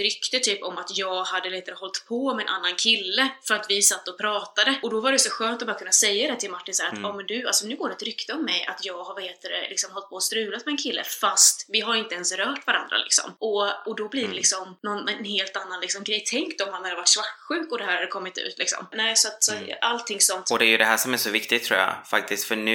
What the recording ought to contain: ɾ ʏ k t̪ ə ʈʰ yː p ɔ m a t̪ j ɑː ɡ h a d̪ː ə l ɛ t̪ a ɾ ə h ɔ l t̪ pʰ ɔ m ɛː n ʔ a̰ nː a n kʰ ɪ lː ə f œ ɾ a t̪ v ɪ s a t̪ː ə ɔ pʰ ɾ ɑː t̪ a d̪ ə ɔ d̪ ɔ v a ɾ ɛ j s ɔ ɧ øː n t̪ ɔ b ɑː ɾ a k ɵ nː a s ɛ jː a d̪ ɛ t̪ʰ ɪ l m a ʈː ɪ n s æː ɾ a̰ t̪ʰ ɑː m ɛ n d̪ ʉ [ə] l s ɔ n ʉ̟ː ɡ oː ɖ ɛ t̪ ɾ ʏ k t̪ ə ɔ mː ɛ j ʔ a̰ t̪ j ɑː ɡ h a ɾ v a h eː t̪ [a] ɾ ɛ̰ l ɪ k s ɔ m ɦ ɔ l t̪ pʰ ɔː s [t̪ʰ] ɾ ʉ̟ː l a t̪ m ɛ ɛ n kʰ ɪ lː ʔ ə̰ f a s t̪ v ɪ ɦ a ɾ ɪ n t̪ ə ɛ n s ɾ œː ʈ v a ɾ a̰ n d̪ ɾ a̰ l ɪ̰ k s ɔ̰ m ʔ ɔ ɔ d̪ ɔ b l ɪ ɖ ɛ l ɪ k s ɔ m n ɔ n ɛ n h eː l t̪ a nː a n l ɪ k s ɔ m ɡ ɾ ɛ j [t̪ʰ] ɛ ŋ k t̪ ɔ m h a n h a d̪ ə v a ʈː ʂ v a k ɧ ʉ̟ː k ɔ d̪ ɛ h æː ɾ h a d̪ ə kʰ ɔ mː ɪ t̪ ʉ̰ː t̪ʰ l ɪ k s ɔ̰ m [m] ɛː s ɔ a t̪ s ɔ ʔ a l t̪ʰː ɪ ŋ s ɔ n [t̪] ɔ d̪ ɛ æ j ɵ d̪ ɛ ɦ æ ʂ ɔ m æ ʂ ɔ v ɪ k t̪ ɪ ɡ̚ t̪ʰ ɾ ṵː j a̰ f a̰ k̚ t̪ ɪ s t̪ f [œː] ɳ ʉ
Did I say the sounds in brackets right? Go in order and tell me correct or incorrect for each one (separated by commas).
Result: incorrect, incorrect, incorrect, correct, incorrect, correct, incorrect